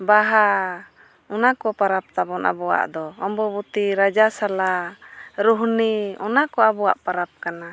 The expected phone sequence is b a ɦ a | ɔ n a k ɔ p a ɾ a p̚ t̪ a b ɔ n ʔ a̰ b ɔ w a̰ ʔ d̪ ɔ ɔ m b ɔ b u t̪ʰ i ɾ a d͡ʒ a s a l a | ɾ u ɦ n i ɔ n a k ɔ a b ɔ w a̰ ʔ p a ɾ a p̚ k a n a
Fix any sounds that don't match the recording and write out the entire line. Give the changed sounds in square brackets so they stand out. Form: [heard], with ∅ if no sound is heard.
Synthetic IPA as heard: b a ɦ a | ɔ n a k ɔ p a ɾ a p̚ t̪ a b ɔ n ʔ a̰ b ɔ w a̰ ʔ d̪ ɔ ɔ m b ɔ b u [t̪] i ɾ a d͡ʒ a s a l a | ɾ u ɦ n i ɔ n a k ɔ a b ɔ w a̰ ʔ p a ɾ a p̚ k a n a